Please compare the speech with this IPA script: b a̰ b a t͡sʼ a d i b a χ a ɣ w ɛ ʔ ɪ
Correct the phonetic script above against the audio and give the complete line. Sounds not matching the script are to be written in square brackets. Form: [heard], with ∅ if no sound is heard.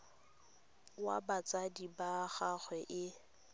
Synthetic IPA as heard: [w] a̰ b a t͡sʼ a d i b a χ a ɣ w ɛ ʔ ɪ